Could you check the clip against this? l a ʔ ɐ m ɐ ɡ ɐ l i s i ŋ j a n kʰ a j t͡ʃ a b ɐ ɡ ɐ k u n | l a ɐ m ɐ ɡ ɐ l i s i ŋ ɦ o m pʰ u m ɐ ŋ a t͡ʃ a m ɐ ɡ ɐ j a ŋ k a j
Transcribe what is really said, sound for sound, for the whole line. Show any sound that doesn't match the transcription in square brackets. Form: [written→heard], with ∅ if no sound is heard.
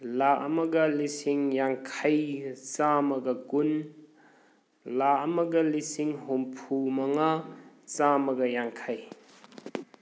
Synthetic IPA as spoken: l a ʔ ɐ m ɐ ɡ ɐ l i s i ŋ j a [n→ŋ] kʰ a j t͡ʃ a [b→m] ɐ ɡ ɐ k u n | l a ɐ m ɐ ɡ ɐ l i s i ŋ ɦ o m pʰ u m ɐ ŋ a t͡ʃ a m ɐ ɡ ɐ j a ŋ [k→kʰ] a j